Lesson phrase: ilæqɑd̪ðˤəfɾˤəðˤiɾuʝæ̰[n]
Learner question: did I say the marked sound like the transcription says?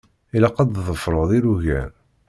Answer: yes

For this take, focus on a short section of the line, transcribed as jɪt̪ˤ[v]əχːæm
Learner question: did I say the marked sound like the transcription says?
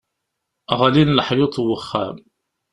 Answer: no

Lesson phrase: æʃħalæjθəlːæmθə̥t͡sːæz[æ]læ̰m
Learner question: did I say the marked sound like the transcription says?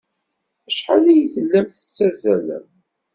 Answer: yes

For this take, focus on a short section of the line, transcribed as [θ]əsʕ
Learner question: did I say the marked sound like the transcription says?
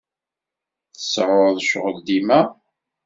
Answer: yes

